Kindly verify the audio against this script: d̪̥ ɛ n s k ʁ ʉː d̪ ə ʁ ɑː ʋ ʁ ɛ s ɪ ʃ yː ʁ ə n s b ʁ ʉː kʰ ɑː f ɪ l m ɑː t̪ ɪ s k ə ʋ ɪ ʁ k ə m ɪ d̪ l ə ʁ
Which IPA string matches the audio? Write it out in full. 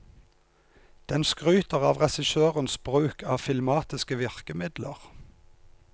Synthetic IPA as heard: d̪̥ ɛ n s k ʁ ʉː t̪ ə ʁ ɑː ʋ ʁ ɛ s ɪ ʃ øː ʁ ə n s b ʁ ʉː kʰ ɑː f ɪ l m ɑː t̪ ɪ s k ə ʋ ɪ ʁ k ə m ɪ d̪ l ə ʁ